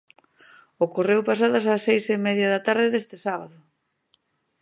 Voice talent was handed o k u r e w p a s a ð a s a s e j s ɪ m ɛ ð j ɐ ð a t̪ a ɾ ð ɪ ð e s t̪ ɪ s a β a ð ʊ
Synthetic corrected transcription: o k o r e w p a s a ð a s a s e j s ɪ m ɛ ð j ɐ ð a t̪ a ɾ ð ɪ ð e s t̪ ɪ s a β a ð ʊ